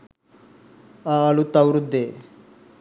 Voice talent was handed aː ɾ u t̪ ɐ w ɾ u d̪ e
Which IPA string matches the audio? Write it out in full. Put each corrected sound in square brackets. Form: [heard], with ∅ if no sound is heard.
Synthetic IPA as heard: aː [l] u t̪ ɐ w ɾ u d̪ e